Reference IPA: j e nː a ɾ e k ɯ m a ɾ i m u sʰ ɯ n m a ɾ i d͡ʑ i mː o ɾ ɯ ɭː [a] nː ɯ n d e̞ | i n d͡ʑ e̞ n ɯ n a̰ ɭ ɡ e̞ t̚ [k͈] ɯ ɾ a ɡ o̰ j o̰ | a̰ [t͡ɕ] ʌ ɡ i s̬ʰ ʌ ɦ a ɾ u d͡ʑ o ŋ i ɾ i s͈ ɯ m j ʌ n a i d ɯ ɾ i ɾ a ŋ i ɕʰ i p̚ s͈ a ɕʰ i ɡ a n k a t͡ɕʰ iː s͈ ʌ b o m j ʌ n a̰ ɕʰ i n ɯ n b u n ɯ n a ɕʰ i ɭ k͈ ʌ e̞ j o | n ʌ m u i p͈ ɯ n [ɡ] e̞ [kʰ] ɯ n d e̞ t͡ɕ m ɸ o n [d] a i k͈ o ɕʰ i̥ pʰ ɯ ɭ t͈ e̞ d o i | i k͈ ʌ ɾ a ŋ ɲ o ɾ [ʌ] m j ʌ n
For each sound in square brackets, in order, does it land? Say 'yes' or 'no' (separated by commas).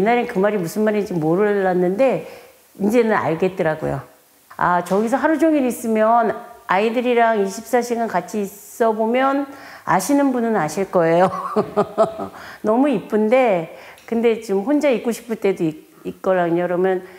yes, no, yes, no, no, no, yes